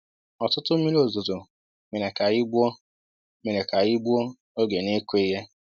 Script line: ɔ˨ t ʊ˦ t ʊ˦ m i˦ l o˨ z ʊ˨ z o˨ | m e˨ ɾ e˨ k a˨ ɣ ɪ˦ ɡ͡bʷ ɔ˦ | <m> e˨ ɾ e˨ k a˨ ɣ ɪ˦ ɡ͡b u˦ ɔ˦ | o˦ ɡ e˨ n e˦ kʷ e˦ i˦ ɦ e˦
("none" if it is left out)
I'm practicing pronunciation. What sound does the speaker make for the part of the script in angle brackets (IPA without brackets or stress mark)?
m